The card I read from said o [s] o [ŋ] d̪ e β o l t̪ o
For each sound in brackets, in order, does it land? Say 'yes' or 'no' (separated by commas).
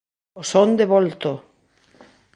yes, no